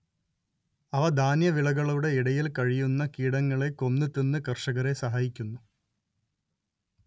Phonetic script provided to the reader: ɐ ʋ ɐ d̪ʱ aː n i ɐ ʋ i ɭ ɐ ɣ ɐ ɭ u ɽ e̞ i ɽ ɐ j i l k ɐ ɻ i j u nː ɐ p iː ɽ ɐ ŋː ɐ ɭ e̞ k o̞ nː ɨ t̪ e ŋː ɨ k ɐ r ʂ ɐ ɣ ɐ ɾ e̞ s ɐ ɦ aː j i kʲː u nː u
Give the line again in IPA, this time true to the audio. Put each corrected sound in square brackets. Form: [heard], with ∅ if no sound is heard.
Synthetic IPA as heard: ɐ ʋ ɐ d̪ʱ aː n [j] ɐ ʋ i ɭ ɐ ɣ ɐ ɭ u ɽ e̞ i ɽ ɐ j i l k ɐ ɻ i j u nː ɐ [k] iː ɽ ɐ ŋː ɐ ɭ e̞ k o̞ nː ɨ t̪ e [nː] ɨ k ɐ r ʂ ɐ ɣ ɐ ɾ e̞ s ɐ ɦ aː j i kʲː u nː u

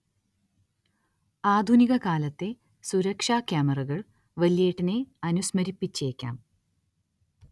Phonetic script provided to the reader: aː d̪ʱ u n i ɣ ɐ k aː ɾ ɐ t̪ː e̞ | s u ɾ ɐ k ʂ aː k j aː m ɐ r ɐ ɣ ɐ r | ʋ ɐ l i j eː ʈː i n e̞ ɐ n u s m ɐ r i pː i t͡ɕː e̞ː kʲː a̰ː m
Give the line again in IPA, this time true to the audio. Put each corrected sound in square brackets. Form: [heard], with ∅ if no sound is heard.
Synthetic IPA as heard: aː d̪ʱ u n i ɣ ɐ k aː [l] ɐ t̪ː e̞ | s u ɾ ɐ k ʂ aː k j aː m ɐ r ɐ ɣ ɐ [ɭ] | ʋ ɐ l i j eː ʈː i n e̞ ɐ n u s m ɐ [ɾ] i pː i t͡ɕː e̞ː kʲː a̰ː m

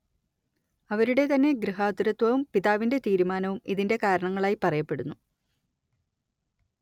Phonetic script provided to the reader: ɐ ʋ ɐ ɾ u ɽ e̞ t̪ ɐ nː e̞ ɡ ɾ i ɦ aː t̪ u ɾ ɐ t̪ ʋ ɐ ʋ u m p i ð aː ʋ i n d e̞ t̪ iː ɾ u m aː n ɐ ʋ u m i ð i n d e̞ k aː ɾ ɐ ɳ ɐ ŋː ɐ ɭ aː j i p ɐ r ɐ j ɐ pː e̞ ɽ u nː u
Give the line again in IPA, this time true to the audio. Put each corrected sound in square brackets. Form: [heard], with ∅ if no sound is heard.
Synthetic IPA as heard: ɐ ʋ ɐ ɾ u ɽ e̞ t̪ ɐ nː e̞ ɡ ɾ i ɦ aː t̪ u ɾ ɐ t̪ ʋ ɐ ʋ u m p i ð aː ʋ i n d e̞ t̪ iː ɾ u m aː n ɐ ʋ u m i ð i n d e̞ k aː ɾ ɐ ɳ ɐ ŋː ɐ ɭ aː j i p ɐ r ɐ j ɐ pː e̞ ɽ u nː u

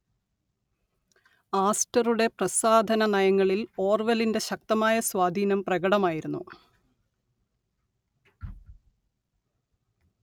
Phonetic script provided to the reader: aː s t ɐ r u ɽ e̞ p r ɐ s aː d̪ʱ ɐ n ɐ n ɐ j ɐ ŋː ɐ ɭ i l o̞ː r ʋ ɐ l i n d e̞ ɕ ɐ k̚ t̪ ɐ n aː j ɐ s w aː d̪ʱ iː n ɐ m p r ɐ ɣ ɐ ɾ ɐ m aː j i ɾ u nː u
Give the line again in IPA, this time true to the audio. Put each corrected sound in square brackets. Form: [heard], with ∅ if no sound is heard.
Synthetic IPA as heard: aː s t ɐ r u ɽ e̞ p r ɐ s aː d̪ʱ ɐ n ɐ n ɐ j ɐ ŋː ɐ ɭ i l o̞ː r ʋ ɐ l i n d e̞ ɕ ɐ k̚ t̪ ɐ [m] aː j ɐ s w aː d̪ʱ iː n ɐ m p r ɐ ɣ ɐ [ɽ] ɐ m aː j i ɾ u nː u

